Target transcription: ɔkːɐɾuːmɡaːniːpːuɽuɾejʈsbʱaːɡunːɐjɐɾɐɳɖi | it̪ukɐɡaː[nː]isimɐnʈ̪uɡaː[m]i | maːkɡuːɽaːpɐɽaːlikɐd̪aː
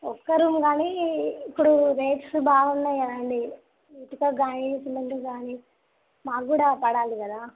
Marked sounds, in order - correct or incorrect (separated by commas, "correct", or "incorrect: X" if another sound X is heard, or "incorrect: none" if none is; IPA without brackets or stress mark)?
incorrect: n, incorrect: n